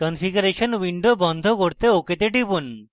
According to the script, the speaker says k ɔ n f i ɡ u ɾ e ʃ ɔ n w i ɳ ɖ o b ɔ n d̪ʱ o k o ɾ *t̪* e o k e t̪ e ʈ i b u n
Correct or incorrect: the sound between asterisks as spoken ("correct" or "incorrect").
correct